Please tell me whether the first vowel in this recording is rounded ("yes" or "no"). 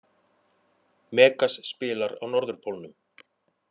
no